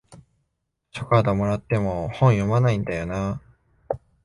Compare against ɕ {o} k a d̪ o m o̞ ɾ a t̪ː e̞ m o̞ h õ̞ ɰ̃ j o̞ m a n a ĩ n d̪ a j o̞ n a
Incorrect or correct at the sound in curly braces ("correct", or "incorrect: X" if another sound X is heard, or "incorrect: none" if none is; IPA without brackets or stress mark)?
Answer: correct